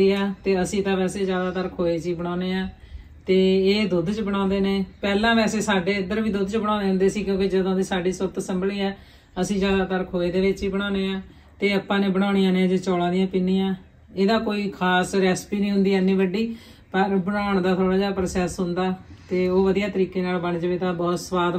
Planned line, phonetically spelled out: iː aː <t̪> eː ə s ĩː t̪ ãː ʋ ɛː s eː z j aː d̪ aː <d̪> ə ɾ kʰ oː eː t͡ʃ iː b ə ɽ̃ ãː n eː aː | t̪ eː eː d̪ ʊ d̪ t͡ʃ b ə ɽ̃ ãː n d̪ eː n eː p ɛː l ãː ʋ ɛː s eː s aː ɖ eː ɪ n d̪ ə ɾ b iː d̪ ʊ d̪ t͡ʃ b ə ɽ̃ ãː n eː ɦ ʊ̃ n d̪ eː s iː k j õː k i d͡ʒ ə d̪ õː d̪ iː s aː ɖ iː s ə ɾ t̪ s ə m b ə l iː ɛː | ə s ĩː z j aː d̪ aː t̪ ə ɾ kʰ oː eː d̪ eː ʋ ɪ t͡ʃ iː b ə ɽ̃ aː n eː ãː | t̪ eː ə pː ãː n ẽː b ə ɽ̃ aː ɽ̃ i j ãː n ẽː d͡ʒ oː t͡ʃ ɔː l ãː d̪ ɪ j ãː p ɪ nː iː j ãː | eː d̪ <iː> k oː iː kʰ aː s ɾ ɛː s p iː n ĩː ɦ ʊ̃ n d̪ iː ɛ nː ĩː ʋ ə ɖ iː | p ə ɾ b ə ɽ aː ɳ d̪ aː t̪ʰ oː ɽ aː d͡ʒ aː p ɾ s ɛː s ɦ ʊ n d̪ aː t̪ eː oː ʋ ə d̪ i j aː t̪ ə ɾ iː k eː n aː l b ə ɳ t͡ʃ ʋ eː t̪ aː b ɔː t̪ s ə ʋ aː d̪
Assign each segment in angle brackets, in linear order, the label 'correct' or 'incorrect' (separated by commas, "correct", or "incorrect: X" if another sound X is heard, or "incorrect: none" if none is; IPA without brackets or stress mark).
correct, incorrect: t̪, incorrect: aː